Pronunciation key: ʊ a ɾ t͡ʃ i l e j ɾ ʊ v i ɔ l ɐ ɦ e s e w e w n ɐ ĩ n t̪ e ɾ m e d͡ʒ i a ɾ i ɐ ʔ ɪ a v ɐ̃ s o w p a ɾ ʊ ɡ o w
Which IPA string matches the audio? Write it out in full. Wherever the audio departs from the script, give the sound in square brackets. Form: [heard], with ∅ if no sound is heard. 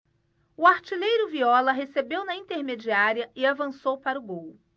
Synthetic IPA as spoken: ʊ a ɾ t͡ʃ i l e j ɾ ʊ v i ɔ l ɐ ɦ e s e [b] e w n ɐ ĩ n t̪ e ɾ m e d͡ʒ i a ɾ i ɐ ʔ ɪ a v ɐ̃ s o w p a ɾ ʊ ɡ o w

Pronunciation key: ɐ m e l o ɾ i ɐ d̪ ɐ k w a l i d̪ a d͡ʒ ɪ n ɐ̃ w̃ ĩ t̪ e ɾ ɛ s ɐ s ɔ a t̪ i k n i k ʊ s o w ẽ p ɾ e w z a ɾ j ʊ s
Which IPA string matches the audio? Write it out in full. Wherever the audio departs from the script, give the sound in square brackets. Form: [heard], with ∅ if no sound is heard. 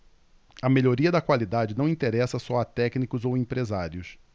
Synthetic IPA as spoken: ɐ m e [ʎ] o ɾ i ɐ d̪ ɐ k w a l i d̪ a d͡ʒ ɪ n ɐ̃ w̃ ĩ t̪ e ɾ ɛ s ɐ s ɔ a t̪ [ɛ] k n i k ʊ [z] o w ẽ p ɾ e [∅] z a ɾ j ʊ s

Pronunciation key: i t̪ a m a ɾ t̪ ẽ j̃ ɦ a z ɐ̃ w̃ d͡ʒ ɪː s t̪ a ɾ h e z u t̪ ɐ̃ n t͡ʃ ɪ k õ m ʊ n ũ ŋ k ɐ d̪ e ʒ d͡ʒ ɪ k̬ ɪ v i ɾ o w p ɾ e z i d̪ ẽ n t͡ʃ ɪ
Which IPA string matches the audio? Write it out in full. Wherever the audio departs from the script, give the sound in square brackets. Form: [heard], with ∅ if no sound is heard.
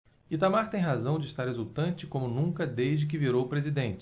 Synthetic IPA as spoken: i t̪ a m a ɾ t̪ ẽ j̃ ɦ a z ɐ̃ w̃ d͡ʒ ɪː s t̪ a ɾ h e z u t̪ ɐ̃ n t͡ʃ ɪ k õ m ʊ n ũ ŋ k ɐ d̪ e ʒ d͡ʒ ɪ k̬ ɪ v i ɾ o w p ɾ e z i d̪ ẽ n t͡ʃ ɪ

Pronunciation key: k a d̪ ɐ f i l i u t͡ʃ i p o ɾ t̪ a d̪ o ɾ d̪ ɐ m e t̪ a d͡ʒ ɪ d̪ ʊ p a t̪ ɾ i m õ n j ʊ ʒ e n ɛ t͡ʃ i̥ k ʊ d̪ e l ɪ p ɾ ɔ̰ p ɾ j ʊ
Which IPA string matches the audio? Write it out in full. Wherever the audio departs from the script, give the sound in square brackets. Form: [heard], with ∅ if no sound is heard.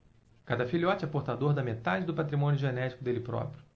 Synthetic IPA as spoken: k a d̪ ɐ f i l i [ɔ] t͡ʃ [ɛ] p o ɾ t̪ a d̪ o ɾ d̪ ɐ m e t̪ a d͡ʒ ɪ d̪ ʊ p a t̪ ɾ i m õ n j ʊ ʒ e n ɛ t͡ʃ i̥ k ʊ d̪ e l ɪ p ɾ ɔ̰ p ɾ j ʊ

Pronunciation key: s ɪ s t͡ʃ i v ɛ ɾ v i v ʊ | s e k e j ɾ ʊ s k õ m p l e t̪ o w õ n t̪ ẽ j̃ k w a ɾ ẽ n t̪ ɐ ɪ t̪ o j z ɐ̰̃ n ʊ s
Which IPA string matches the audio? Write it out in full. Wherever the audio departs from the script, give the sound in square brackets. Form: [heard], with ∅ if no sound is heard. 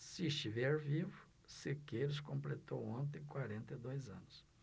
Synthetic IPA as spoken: s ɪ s t͡ʃ i v ɛ ɾ v i v ʊ | s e k e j ɾ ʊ s k õ m p l e t̪ o w õ n t̪ ẽ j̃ k w a ɾ ẽ n t̪ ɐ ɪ [d̪] o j z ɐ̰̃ n ʊ s

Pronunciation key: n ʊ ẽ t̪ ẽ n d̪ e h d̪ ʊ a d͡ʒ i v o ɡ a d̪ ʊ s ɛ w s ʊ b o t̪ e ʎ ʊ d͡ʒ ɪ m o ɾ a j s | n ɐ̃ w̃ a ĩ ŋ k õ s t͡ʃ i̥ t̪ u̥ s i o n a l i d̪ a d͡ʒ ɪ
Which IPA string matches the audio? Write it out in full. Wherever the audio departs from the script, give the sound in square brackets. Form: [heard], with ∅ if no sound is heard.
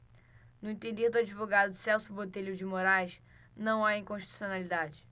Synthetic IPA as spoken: n ʊ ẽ t̪ ẽ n d̪ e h d̪ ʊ a d͡ʒ i v o ɡ a d̪ ʊ s ɛ w s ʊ b o t̪ e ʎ ʊ d͡ʒ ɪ m o ɾ a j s | n ɐ̃ w̃ a ĩ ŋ k õ [ʃ] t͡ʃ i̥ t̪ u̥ s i o n a l i d̪ a d͡ʒ ɪ

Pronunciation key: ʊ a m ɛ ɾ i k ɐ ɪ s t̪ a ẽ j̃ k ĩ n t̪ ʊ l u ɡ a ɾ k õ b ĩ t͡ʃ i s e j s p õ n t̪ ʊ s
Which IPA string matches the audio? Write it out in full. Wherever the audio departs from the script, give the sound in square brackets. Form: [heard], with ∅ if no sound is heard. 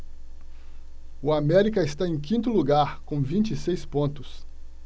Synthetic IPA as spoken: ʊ a m ɛ ɾ i k ɐ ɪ s t̪ a ẽ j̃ k ĩ n t̪ ʊ l u ɡ a ɾ k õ [v] ĩ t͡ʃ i s e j s p õ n t̪ ʊ s

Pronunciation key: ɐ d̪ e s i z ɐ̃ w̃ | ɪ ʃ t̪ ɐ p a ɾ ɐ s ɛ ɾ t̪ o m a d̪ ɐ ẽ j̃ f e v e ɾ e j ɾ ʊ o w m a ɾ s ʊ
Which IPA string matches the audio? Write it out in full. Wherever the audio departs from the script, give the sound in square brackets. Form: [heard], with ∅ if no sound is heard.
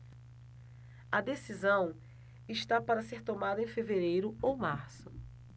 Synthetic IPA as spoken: ɐ d̪ e s i z ɐ̃ w̃ | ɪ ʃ t̪ [a] p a ɾ ɐ s [e] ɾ t̪ o m a d̪ ɐ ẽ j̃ f e v e ɾ e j ɾ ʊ o w m a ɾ s ʊ

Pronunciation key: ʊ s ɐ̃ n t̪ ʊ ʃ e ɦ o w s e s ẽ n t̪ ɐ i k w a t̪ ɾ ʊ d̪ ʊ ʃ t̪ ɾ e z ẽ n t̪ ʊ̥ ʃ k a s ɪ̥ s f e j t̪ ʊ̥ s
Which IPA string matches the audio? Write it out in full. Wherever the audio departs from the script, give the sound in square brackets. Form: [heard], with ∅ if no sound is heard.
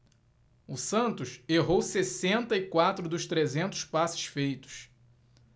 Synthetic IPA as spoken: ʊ s ɐ̃ n t̪ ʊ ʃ e ɦ o w s e s ẽ n t̪ ɐ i k w a t̪ ɾ ʊ d̪ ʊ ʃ t̪ ɾ e z ẽ n t̪ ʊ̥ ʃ [p] a s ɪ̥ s f e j t̪ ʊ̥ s

